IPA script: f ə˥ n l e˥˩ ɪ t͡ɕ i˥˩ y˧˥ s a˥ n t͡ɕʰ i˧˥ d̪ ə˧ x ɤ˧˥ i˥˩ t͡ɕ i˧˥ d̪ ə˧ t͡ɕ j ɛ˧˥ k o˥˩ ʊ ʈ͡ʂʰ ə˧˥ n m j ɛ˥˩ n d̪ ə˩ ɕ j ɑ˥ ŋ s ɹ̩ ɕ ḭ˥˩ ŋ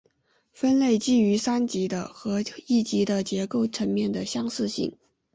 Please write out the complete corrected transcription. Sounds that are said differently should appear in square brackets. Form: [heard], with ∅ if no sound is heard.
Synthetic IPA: f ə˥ n l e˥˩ ɪ t͡ɕ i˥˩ y˧˥ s a˥ n [t͡ɕ] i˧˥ d̪ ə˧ x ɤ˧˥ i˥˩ t͡ɕ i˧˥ d̪ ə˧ t͡ɕ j ɛ˧˥ k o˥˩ ʊ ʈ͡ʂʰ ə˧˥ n m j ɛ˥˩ n d̪ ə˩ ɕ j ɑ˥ ŋ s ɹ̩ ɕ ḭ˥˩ ŋ